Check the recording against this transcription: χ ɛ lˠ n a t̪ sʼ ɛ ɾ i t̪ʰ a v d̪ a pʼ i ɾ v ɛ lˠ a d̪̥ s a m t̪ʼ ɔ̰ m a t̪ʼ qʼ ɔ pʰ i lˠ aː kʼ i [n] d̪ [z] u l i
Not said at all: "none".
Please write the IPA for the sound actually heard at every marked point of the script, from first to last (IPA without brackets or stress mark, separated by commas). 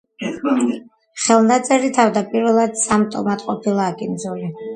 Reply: n, z